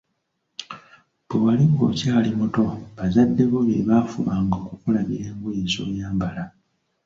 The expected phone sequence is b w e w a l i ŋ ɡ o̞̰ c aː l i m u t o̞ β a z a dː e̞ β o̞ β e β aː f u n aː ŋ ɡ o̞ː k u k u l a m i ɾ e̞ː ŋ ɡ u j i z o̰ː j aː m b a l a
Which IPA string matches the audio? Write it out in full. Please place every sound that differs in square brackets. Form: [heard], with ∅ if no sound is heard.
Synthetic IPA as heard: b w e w a l i ŋ ɡ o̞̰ c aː l i m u t o̞ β a z a dː e̞ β o̞ β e β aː f u [m] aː ŋ ɡ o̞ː k u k u l a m i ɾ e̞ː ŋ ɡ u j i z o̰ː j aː m b a l a